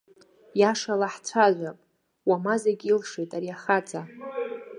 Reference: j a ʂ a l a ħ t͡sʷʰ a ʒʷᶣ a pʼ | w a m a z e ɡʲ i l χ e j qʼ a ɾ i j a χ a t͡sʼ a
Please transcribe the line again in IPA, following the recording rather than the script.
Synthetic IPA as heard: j a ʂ a l a ħ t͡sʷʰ a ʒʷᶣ a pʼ | w a m a z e ɡʲ i l ʂ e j tʼ a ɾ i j a χ a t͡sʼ a